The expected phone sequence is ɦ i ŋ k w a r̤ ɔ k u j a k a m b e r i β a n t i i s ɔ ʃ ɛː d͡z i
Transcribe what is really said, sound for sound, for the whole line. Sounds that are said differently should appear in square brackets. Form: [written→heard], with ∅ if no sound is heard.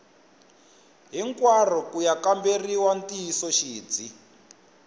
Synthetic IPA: ɦ i ŋ k w a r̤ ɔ k u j a k a m b e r i [β→w] a n t i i s ɔ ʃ [ɛː→iː] d͡z i